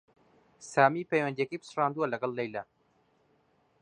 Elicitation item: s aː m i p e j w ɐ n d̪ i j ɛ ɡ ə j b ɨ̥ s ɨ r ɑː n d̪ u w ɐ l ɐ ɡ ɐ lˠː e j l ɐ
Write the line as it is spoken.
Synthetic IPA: s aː m i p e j w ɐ n d̪ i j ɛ k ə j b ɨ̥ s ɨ r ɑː n d̪ u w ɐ l ɐ ɡ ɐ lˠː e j l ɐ